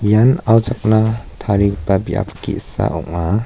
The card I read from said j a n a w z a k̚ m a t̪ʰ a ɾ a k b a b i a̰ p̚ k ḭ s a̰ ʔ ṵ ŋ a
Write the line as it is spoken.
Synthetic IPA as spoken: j a n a w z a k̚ n a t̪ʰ a ɾ i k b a b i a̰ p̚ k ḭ s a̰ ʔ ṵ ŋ a